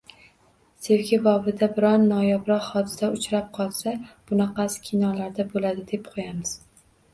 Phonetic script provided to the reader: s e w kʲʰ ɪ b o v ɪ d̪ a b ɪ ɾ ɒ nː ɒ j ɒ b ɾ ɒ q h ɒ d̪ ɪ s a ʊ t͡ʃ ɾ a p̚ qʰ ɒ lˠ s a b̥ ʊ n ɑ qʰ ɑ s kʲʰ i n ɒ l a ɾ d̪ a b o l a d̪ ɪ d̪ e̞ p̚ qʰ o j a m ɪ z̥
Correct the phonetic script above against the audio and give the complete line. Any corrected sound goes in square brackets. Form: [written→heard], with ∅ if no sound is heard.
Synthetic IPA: s e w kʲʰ ɪ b [o→ɒ] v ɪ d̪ a b ɪ ɾ ɒ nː ɒ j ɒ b ɾ ɒ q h ɒ d̪ ɪ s a ʊ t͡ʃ ɾ a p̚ qʰ ɒ lˠ s a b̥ ʊ n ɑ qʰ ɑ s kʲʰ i n ɒ l a ɾ d̪ a b o l a d̪ ɪ d̪ e̞ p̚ qʰ o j a m ɪ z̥